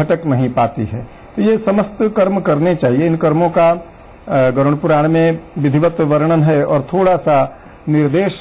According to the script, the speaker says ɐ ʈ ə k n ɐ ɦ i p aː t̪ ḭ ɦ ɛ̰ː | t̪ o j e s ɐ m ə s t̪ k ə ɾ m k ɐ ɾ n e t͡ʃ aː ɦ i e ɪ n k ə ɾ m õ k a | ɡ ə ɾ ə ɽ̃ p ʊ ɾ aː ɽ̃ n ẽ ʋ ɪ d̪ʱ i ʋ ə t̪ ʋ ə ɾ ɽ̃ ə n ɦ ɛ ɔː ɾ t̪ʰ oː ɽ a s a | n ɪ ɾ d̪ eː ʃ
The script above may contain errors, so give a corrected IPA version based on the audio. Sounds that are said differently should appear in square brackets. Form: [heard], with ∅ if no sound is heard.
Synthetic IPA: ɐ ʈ ə k n ɐ ɦ [ĩ] p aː t̪ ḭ ɦ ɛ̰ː | t̪ o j e s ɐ m ə s t̪ k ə ɾ m k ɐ ɾ n e t͡ʃ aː ɦ i e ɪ n k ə ɾ m õ k a | ɡ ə ɾ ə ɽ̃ p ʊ ɾ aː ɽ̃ [m] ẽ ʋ ɪ d̪ʱ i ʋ ə t̪ ʋ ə ɾ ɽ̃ ə n ɦ ɛ ɔː ɾ t̪ʰ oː ɽ a s a | n ɪ ɾ d̪ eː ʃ